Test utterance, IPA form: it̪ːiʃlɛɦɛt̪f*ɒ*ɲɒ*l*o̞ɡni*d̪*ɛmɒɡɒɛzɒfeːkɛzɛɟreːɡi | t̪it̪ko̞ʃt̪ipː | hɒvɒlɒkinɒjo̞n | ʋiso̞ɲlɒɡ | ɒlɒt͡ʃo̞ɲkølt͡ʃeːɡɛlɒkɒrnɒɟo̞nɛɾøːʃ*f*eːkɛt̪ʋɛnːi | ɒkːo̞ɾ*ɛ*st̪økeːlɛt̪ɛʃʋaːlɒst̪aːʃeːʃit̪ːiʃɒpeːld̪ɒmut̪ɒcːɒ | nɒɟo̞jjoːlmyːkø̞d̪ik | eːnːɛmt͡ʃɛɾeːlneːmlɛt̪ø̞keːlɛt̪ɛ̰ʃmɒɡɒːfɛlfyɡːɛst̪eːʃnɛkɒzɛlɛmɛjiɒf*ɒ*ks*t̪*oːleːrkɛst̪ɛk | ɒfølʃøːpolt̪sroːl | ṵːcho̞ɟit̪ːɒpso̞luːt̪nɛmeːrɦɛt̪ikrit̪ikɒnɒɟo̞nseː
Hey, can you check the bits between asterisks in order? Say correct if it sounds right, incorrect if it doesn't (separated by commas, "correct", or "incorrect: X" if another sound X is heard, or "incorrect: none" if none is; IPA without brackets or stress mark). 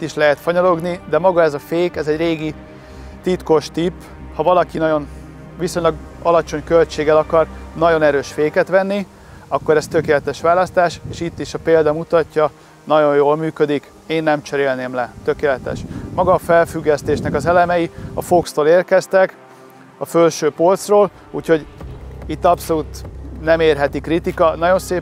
correct, correct, correct, correct, correct, incorrect: o, correct